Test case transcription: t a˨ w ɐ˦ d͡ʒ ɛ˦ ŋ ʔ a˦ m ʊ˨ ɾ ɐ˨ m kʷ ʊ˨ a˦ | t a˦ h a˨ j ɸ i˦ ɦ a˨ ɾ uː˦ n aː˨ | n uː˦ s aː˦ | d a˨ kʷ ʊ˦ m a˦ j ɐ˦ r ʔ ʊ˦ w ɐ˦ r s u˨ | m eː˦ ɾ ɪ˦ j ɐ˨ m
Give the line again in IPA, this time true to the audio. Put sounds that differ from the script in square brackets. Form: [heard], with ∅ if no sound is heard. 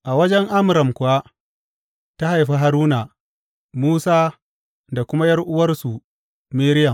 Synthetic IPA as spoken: [ʔ] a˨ w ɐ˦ d͡ʒ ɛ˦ ŋ ʔ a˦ m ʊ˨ ɾ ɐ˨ m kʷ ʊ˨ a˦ | t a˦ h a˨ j ɸ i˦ ɦ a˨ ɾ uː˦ n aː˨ | [m] uː˦ s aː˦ | d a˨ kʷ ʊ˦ m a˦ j ɐ˦ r ʔ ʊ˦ w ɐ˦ r s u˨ | m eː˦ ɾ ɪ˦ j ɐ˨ m

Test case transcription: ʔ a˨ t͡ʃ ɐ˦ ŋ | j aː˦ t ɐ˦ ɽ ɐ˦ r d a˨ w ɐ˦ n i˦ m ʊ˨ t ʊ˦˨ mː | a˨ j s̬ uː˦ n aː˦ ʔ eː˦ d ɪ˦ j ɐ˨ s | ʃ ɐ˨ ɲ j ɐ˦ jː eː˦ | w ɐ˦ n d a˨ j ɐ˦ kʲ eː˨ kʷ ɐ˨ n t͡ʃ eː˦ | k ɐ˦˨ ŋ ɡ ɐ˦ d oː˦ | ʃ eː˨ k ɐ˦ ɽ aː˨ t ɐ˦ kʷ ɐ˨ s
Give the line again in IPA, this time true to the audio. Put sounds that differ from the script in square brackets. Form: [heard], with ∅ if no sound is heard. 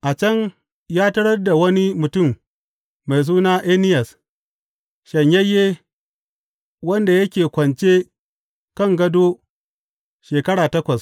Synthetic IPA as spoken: ʔ a˨ t͡ʃ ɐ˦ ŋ | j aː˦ t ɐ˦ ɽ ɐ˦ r d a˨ w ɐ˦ n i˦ m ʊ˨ t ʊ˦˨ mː | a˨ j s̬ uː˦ n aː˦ ʔ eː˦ [n] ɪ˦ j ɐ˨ s | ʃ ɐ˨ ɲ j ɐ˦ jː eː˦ | w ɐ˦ n d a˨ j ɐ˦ kʲ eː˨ kʷ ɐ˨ n t͡ʃ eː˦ | k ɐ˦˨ ŋ ɡ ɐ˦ d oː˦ | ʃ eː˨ k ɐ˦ ɽ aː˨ t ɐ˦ kʷ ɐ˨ s

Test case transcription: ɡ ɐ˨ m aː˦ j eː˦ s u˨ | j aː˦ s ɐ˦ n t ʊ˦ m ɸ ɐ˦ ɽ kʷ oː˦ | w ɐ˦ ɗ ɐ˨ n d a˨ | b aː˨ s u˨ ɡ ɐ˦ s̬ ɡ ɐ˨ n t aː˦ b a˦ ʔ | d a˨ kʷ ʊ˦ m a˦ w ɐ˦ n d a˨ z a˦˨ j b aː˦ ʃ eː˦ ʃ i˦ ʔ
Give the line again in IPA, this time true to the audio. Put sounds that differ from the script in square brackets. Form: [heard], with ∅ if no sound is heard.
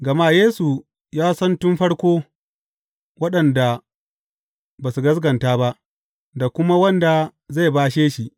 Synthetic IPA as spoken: ɡ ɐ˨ m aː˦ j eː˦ s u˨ | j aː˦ s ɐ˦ n t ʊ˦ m ɸ ɐ˦ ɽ kʷ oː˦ | w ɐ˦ ɗ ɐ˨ n d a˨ | b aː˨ s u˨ ɡ ɐ˦ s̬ ɡ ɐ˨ n t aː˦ b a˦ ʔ | d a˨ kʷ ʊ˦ m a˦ w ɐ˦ n d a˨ z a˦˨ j b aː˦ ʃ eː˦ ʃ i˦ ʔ

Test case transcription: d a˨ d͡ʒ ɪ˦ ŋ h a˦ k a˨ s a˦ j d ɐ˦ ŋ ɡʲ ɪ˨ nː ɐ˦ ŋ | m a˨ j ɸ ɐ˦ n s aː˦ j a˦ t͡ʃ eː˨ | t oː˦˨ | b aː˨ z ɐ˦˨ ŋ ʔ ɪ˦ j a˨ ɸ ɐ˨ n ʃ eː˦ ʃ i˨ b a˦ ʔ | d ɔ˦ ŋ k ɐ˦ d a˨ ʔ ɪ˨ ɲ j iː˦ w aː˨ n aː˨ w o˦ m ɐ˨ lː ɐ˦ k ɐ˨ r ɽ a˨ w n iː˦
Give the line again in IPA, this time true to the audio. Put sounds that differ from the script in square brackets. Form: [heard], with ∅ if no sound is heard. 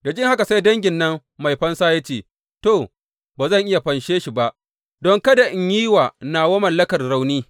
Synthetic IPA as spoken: d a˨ d͡ʒ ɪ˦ ŋ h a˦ k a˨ s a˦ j d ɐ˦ ŋ ɡʲ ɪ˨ nː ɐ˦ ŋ | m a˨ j ɸ ɐ˦ n s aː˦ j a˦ t͡ʃ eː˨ | t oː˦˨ | b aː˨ z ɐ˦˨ ŋ ʔ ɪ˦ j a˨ ɸ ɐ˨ n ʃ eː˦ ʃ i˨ b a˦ ʔ | d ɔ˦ ŋ k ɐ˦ d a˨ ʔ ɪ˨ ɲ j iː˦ w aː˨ n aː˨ w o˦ m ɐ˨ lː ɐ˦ k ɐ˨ r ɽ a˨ w n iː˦

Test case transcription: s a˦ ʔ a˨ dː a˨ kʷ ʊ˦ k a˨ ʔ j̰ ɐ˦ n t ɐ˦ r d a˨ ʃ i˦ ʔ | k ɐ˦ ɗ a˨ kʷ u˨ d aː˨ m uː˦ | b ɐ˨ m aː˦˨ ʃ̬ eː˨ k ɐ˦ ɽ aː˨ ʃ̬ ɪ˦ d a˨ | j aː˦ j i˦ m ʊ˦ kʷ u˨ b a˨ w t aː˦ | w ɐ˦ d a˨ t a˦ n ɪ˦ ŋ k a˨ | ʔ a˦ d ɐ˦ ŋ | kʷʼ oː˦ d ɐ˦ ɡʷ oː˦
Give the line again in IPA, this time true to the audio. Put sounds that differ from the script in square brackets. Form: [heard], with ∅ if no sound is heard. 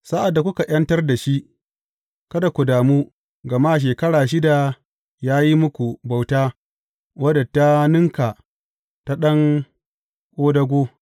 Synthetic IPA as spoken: s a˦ ʔ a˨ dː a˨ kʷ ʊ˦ k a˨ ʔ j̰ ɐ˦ n t ɐ˦ r d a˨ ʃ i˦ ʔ | k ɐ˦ [d] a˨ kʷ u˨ d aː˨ m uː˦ | [ɡ] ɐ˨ m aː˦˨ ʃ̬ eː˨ k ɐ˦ ɽ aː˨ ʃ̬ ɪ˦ d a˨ | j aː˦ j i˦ m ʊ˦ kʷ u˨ b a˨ w t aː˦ | w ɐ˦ d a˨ t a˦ n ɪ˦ ŋ k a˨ | [t] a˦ [ɗ] ɐ˦ ŋ | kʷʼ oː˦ d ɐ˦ ɡʷ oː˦

